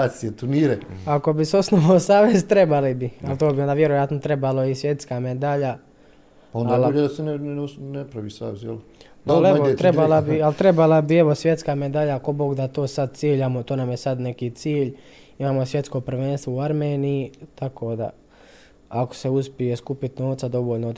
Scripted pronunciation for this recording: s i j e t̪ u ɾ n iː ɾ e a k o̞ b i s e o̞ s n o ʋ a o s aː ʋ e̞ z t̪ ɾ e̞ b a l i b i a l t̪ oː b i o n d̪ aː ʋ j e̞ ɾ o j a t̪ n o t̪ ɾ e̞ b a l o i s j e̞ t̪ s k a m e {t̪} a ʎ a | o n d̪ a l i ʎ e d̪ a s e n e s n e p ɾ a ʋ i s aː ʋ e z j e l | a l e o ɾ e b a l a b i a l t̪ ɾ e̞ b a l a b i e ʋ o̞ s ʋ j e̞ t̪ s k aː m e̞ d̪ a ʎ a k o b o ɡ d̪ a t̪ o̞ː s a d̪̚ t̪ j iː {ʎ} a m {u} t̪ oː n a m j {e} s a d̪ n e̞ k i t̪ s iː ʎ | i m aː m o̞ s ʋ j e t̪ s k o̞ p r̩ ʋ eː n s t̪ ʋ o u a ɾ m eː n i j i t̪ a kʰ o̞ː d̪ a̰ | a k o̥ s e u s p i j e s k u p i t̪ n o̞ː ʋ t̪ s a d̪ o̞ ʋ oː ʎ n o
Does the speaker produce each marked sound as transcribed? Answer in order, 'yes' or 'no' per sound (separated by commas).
no, yes, no, yes